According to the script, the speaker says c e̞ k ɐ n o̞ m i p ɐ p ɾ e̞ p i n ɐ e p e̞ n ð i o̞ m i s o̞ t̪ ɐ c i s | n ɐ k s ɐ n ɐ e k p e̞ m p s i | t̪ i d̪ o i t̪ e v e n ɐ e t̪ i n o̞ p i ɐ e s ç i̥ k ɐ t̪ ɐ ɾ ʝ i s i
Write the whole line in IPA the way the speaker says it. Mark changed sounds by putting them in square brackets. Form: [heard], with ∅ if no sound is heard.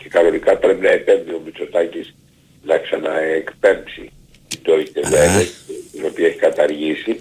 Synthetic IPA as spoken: c e̞ k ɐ n o̞ [n] i [k] ɐ p ɾ e̞ p i n ɐ e p e̞ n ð i o̞ m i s o̞ t̪ ɐ c i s | n ɐ k s ɐ n ɐ e k p e̞ m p s i | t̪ i d̪ o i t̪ e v e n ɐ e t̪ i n o̞ p i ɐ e [∅] ç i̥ k ɐ t̪ ɐ ɾ ʝ i s i